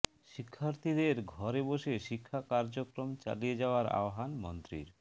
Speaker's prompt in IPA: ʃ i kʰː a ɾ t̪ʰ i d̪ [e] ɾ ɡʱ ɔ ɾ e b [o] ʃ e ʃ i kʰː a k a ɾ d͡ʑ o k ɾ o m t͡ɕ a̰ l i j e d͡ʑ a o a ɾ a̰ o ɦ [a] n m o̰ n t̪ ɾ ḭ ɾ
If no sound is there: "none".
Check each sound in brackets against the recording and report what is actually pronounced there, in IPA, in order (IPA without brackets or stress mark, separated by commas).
e, o, a